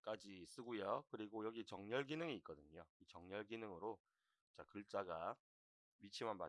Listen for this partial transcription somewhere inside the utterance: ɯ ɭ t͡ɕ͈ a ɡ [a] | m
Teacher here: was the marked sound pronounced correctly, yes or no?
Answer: yes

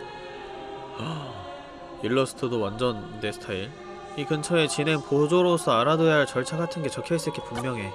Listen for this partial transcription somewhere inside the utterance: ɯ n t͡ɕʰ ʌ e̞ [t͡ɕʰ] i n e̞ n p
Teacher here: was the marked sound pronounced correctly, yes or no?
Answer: no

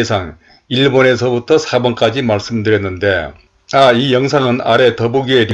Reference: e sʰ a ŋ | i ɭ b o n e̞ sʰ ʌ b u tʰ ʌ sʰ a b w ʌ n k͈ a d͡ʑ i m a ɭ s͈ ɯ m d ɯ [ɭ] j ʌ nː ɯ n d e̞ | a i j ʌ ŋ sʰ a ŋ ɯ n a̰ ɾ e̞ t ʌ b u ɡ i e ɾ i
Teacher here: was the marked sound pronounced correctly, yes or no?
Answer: no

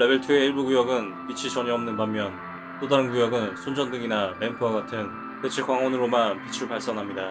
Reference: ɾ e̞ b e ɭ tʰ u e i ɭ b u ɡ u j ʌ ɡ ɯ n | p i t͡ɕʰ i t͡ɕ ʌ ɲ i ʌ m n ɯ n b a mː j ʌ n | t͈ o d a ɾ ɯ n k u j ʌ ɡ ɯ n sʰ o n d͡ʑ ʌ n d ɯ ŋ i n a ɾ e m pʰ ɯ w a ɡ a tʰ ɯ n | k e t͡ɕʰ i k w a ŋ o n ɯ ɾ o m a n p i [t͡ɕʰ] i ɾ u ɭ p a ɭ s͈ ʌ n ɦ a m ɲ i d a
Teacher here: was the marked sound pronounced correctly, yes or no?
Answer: yes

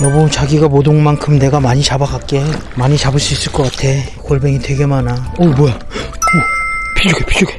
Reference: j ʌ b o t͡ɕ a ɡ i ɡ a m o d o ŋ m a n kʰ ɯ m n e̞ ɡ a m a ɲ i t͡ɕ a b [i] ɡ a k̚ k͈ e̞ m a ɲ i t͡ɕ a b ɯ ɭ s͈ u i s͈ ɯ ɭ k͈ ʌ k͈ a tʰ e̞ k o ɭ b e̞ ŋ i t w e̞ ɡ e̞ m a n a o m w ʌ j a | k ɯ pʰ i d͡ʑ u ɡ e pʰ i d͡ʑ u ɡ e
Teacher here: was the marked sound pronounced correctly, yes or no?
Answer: no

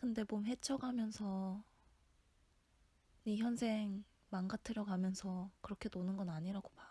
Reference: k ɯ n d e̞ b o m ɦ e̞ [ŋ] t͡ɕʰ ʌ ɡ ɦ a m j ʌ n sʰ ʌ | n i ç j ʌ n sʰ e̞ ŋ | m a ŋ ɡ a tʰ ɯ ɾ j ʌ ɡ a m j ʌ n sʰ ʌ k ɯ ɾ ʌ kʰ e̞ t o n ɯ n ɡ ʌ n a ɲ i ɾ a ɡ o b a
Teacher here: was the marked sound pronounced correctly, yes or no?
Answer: no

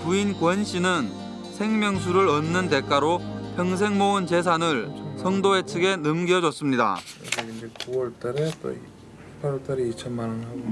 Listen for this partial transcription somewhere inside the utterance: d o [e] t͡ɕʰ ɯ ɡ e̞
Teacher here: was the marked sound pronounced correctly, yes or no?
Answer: yes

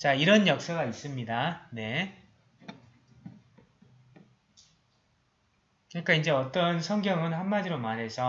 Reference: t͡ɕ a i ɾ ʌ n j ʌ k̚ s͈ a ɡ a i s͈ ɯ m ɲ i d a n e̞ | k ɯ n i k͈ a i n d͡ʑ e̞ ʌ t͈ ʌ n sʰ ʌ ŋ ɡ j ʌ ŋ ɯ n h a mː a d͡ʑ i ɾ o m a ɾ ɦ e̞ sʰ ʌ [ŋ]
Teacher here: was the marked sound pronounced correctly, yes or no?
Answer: no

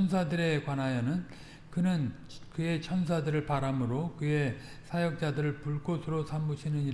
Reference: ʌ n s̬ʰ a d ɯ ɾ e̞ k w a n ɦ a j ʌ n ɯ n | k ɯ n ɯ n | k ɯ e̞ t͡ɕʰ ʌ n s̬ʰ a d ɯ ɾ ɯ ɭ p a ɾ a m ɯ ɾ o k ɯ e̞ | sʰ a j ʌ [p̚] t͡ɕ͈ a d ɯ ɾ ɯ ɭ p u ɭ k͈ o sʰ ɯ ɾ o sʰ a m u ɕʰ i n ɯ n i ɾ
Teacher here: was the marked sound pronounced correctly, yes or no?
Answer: no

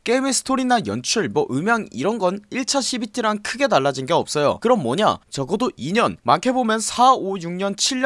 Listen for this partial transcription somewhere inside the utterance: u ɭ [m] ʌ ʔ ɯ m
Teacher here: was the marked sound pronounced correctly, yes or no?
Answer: yes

